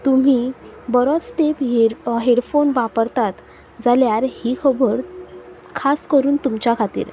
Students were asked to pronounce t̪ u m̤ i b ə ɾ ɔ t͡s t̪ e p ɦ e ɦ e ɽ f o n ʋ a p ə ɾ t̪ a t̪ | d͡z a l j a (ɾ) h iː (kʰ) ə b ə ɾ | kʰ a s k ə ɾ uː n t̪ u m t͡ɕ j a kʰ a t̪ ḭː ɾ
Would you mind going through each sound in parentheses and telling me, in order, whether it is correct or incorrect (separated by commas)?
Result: correct, correct